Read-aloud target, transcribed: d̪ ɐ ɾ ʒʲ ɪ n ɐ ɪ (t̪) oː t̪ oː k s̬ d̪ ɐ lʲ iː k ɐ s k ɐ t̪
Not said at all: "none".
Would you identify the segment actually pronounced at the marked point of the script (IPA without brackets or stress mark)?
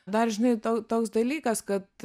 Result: t̪